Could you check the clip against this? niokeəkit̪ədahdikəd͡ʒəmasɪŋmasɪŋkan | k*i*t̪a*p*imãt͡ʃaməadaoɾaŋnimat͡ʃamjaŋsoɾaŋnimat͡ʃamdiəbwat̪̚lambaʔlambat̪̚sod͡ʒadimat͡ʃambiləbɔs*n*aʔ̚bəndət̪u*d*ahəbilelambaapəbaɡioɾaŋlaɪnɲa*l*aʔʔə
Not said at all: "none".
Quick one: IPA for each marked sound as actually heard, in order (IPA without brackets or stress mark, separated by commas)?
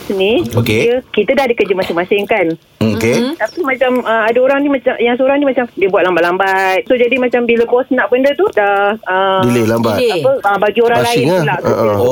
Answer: e, p, n, d, l